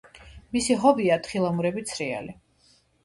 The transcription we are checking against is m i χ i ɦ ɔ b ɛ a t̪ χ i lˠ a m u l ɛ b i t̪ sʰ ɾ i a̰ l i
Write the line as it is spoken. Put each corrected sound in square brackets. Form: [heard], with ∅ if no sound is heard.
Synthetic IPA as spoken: m i [s] i ɦ ɔ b [i] a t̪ χ i lˠ a m u [ɾ] ɛ b i t̪ sʰ ɾ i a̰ l i